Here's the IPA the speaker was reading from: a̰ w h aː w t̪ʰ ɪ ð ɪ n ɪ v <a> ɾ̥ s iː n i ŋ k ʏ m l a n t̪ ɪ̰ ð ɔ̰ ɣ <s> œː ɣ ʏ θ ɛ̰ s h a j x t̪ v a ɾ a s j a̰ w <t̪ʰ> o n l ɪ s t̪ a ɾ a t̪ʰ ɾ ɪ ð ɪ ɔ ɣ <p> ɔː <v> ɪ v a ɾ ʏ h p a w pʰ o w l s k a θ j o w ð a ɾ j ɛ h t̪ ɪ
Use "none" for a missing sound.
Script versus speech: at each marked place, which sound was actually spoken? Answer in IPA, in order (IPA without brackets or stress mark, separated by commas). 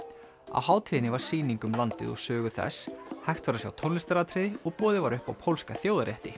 a, s, t̪ʰ, p, ð